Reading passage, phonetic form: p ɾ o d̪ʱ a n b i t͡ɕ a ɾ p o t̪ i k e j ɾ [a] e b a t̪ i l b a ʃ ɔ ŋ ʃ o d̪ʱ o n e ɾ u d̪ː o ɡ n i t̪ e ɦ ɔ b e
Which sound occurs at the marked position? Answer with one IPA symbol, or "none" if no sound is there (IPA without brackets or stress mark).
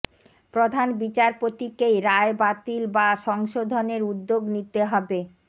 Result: a